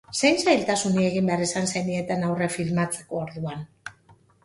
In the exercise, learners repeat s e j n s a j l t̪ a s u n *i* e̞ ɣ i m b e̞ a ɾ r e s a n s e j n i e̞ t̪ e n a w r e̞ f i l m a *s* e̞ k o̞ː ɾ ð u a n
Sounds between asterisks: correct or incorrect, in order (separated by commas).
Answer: correct, incorrect